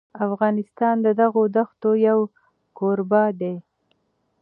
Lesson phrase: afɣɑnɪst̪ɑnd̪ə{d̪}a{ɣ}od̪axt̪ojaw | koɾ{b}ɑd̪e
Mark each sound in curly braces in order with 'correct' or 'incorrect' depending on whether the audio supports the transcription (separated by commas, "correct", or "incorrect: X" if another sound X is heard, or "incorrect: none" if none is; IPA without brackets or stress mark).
correct, correct, correct